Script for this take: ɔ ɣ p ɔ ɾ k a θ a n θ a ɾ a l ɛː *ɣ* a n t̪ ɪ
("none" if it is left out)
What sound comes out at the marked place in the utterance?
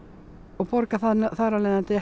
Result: ð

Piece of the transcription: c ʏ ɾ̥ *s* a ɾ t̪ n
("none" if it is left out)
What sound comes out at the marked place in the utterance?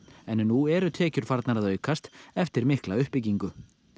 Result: f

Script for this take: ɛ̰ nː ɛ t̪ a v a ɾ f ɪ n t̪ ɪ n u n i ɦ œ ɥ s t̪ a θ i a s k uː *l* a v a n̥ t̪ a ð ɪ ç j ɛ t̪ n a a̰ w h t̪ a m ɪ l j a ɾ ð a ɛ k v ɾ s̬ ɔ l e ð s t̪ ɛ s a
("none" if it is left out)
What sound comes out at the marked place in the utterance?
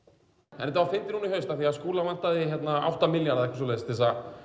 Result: l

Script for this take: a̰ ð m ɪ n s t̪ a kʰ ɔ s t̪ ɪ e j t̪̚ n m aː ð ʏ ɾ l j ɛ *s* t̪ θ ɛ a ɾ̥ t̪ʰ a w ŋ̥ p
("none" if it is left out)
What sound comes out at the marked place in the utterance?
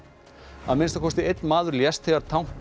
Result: s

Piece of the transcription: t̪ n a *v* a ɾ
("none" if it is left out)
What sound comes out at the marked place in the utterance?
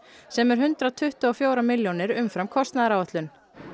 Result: ð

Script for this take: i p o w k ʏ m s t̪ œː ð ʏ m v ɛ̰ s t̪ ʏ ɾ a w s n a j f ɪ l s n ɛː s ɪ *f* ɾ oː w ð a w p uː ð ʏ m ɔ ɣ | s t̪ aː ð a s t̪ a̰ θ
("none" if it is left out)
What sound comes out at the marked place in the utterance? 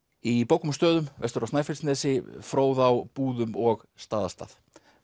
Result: f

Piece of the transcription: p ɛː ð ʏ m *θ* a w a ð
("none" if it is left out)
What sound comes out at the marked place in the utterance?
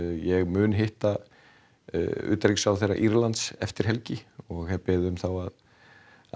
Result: θ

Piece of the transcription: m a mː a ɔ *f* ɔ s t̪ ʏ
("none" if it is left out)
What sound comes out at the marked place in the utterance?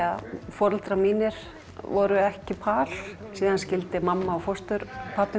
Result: f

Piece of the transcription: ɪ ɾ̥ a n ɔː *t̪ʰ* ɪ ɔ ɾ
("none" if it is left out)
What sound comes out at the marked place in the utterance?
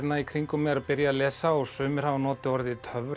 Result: t̪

